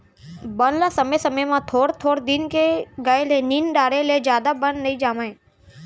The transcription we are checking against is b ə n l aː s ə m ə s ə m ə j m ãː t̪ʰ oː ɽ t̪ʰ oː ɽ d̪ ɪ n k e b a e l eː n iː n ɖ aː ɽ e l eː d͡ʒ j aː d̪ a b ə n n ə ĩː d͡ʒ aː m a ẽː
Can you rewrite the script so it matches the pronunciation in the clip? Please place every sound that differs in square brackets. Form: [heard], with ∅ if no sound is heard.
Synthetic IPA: b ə n l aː s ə m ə s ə m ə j m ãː t̪ʰ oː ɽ t̪ʰ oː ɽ d̪ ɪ n k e [ɡ] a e l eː n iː n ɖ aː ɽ e l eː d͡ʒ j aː d̪ a b ə n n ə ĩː d͡ʒ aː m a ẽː

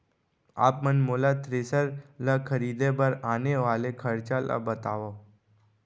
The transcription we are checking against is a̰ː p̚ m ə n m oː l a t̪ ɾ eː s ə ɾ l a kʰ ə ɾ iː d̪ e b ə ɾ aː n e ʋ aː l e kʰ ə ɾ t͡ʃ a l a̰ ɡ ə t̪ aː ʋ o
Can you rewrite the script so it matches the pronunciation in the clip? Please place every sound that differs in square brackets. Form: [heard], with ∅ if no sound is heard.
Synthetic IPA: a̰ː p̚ m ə n m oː l a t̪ ɾ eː s ə ɾ l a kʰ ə ɾ iː d̪ e b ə ɾ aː n e ʋ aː l e kʰ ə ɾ t͡ʃ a l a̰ [b] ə t̪ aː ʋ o

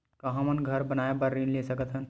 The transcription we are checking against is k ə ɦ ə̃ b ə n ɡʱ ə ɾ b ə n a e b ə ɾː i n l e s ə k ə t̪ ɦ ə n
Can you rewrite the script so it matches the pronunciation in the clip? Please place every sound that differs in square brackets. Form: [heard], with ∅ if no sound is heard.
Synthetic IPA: k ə ɦ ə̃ [m] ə n ɡʱ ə ɾ b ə n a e b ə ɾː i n l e s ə k ə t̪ ɦ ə n

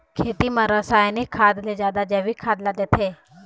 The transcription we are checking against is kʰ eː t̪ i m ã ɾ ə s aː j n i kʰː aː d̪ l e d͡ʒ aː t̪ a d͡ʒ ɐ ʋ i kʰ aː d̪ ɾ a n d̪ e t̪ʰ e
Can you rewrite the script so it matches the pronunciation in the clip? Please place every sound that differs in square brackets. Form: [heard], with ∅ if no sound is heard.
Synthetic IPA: kʰ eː t̪ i m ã ɾ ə s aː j n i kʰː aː d̪ l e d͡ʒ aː [d̪] a d͡ʒ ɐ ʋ i kʰ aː d̪ [l] a [∅] d̪ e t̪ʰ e

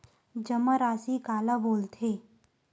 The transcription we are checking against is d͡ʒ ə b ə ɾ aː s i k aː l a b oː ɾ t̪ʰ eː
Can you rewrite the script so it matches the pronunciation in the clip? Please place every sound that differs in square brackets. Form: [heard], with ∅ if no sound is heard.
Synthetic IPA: d͡ʒ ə [m] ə ɾ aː s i k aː l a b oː [l] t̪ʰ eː

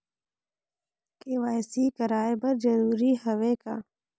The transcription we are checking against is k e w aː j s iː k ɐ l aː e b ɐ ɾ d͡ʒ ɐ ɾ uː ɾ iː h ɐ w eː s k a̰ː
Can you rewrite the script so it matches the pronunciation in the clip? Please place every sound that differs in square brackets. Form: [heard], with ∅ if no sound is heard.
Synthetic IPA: k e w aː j s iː k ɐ [ɾ] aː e b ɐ ɾ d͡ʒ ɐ ɾ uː ɾ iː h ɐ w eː [∅] k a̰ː

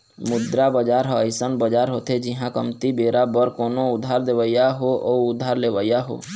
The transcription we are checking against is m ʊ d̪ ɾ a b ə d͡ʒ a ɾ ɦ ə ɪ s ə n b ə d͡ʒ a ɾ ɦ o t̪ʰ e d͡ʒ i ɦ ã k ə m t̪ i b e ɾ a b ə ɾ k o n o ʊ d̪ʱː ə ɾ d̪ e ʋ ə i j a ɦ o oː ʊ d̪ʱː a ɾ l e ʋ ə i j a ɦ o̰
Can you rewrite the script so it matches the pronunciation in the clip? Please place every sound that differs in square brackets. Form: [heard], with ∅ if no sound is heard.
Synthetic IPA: m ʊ d̪ ɾ a b ə d͡ʒ a ɾ ɦ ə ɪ s ə n b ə d͡ʒ a ɾ ɦ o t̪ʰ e d͡ʒ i ɦ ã k ə m t̪ i b e ɾ a b ə ɾ k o n o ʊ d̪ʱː [a] ɾ d̪ e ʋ ə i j a ɦ o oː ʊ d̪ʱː a ɾ l e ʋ ə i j a ɦ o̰

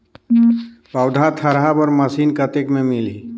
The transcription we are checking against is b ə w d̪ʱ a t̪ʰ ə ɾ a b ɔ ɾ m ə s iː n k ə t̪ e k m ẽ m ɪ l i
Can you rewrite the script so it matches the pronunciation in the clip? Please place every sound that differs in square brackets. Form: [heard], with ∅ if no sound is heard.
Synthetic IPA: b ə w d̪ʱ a t̪ʰ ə ɾ a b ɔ ɾ m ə s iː n k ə t̪ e k m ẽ m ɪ l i

